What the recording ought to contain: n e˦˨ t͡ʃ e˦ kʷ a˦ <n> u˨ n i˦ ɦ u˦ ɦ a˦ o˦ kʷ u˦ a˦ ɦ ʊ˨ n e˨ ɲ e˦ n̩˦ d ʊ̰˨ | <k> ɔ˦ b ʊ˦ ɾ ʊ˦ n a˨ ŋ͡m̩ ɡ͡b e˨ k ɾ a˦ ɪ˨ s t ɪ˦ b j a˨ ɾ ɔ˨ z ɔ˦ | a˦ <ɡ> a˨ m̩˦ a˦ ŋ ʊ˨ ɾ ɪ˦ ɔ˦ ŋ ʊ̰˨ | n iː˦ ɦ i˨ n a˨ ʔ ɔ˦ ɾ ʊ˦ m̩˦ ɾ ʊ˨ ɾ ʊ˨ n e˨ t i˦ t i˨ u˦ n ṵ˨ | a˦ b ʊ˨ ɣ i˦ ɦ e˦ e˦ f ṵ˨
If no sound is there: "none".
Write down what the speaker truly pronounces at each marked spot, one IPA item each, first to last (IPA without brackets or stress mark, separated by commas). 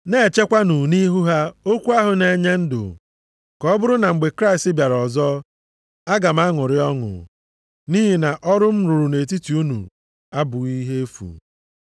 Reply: n, k, ɡ